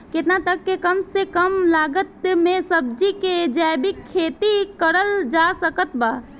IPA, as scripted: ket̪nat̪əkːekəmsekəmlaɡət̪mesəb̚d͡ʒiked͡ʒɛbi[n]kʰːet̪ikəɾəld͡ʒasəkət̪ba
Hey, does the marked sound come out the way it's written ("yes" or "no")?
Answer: no